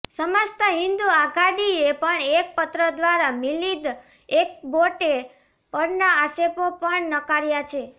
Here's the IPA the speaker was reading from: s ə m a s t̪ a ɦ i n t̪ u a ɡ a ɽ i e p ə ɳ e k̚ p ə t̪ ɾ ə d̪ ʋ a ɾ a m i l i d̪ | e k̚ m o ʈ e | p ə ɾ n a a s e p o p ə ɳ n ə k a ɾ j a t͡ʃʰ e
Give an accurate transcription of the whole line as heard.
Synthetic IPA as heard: s ə m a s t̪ a ɦ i n d̪ u a ɡ a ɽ i e p ə ɳ e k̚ p ə t̪ ɾ ə d̪ ʋ a ɾ a m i l i d̪ | e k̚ b o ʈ e | p ə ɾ n a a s e p o p ə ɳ n ə k a ɾ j a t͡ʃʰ e